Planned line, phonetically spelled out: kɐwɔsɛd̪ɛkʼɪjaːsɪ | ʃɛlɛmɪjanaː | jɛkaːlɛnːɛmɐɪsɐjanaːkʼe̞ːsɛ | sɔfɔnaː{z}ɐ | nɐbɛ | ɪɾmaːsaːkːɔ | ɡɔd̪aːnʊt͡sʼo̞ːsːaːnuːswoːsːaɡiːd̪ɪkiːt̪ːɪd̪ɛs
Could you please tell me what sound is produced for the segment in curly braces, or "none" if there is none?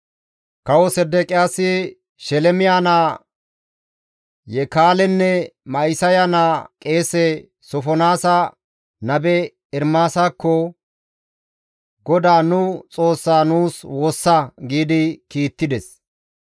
s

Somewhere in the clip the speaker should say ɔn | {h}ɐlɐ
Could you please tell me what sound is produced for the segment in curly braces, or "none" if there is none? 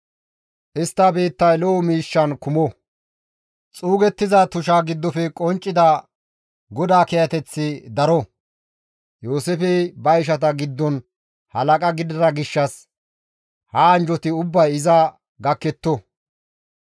h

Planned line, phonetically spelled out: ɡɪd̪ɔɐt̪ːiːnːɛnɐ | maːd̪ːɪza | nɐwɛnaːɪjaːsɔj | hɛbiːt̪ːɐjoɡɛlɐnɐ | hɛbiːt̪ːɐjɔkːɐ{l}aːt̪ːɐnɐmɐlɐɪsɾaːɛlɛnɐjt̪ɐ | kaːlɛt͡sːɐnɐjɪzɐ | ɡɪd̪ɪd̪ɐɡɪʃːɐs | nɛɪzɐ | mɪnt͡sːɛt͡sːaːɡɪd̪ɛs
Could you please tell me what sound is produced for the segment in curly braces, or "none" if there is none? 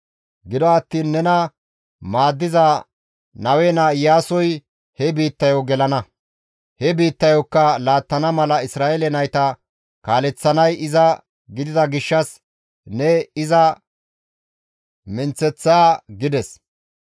l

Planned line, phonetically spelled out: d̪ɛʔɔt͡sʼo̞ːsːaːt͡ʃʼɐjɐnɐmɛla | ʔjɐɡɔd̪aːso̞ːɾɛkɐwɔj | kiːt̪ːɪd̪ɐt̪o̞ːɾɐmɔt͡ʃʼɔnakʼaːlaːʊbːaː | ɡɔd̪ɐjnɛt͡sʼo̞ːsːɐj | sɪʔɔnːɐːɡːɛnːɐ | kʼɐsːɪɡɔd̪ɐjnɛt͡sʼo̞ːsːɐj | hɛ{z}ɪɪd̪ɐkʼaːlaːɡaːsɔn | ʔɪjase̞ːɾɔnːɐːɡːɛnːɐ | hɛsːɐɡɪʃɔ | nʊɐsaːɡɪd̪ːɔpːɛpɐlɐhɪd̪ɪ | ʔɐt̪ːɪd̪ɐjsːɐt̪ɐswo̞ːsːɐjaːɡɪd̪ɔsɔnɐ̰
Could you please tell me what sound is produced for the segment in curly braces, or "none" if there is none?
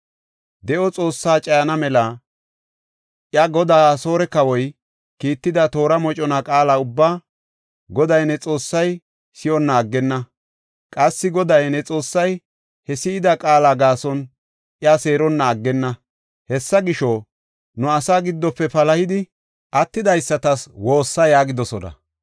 s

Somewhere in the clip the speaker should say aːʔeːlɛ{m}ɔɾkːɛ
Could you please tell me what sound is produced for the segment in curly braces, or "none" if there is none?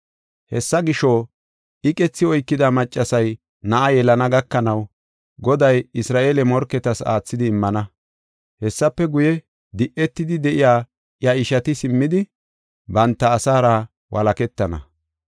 m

